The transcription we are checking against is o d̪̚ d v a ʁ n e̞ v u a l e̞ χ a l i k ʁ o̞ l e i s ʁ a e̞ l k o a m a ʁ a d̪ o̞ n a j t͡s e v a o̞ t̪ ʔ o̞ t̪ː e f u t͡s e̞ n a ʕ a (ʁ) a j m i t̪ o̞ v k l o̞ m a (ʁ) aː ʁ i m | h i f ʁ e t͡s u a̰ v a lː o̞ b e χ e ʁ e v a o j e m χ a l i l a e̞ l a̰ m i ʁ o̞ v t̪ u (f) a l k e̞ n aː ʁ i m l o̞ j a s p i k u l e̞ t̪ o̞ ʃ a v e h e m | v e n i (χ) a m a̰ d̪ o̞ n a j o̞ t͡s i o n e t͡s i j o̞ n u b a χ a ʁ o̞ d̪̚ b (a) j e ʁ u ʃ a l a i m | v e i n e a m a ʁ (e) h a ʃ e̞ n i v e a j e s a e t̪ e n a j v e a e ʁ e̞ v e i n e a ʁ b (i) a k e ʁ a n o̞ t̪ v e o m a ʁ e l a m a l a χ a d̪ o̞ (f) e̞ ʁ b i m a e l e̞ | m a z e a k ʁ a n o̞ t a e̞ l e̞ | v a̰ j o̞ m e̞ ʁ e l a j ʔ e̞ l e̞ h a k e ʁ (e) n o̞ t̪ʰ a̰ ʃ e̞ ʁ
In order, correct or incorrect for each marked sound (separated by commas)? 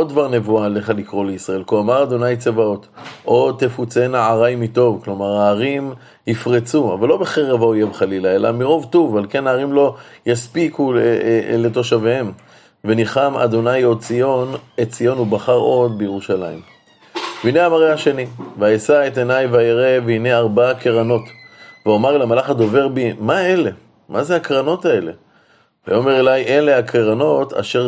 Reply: correct, correct, incorrect, correct, incorrect, correct, incorrect, incorrect, incorrect